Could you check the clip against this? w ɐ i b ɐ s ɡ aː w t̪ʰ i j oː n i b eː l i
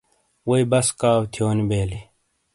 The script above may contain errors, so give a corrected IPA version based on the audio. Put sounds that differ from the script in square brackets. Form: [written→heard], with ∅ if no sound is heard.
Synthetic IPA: w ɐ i b ɐ s [ɡ→k] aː w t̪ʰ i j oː n i b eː l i